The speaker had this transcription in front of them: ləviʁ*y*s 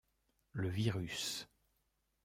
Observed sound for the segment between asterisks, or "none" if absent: y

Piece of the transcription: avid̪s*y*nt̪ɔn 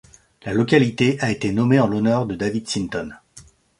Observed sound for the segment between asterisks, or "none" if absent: i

